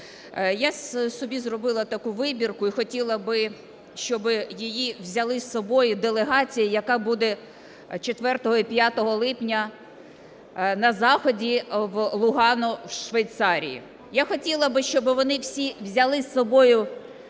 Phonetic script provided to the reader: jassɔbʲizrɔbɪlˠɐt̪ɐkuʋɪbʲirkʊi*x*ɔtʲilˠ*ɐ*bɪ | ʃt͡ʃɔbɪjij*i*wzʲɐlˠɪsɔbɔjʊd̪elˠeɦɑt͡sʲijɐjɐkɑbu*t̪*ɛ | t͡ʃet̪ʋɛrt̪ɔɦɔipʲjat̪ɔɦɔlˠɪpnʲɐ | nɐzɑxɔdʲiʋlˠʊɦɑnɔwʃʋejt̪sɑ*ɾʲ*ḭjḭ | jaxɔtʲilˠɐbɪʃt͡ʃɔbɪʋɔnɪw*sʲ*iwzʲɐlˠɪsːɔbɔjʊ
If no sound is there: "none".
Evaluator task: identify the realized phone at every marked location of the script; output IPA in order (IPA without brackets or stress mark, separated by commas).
x, ɐ, i, d̪, ɾʲ, sʲ